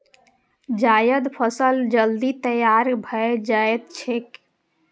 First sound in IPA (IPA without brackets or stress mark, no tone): d͡ʒ